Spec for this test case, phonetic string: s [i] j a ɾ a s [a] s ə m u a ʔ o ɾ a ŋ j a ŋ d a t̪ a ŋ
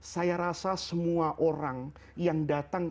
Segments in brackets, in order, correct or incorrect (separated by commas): incorrect, correct